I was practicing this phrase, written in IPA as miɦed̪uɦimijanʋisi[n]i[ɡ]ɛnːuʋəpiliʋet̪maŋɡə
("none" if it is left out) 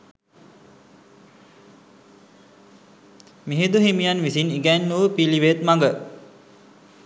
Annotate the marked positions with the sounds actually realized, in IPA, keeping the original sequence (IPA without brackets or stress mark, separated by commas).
n, ɡ